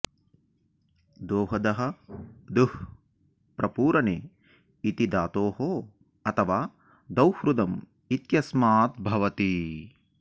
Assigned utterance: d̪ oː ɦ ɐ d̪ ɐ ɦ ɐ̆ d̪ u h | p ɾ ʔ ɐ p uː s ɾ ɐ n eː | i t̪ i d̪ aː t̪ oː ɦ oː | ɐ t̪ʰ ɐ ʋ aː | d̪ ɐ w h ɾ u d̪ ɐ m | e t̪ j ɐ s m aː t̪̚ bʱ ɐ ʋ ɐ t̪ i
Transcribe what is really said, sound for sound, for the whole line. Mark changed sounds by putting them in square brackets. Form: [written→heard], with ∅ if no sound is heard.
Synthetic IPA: d̪ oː ɦ ɐ d̪ ɐ ɦ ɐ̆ d̪ u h | p ɾ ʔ ɐ p uː [s→∅] ɾ ɐ n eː | i t̪ i d̪ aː t̪ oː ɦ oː | ɐ t̪ʰ ɐ ʋ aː | d̪ ɐ w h ɾ u d̪ ɐ m | [e→i] t̪ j ɐ s m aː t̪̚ bʱ ɐ ʋ ɐ t̪ i